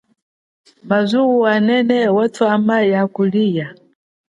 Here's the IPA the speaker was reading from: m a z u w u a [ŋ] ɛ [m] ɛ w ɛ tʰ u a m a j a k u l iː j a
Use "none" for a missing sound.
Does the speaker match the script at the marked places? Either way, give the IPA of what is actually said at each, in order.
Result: n, n

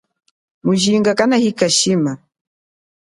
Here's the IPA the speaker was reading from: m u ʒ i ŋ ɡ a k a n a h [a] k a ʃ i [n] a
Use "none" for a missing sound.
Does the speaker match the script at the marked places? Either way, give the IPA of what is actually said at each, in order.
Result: i, m

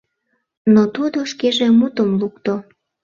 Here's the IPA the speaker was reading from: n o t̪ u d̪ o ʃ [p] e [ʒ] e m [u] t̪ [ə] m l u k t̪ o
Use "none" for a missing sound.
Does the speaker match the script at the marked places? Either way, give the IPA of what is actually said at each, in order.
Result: k, ʒ, u, ə

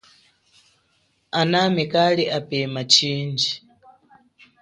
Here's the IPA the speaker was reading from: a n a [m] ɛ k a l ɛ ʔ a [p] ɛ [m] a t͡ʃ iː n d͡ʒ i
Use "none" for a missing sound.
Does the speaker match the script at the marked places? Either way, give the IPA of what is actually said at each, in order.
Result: m, p, m

